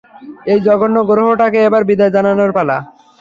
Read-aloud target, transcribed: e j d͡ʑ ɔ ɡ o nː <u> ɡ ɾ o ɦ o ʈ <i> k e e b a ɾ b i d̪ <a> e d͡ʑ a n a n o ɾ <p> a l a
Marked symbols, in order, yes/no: no, no, yes, yes

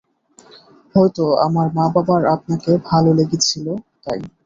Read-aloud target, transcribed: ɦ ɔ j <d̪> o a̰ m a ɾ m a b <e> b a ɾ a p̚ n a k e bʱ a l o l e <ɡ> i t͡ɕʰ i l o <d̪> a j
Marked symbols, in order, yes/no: no, no, yes, no

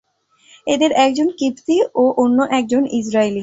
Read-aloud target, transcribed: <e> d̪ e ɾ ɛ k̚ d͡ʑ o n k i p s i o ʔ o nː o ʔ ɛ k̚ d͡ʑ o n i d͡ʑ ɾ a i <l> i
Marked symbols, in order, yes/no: yes, yes

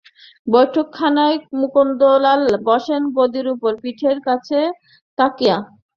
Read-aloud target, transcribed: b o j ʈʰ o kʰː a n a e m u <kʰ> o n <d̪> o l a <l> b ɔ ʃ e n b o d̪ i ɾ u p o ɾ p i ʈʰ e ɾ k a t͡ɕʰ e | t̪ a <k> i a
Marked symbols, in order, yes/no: no, yes, yes, yes

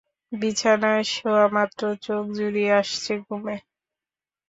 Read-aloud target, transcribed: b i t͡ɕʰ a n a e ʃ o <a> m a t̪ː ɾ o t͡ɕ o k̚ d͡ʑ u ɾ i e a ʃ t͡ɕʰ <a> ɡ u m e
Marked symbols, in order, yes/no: yes, no

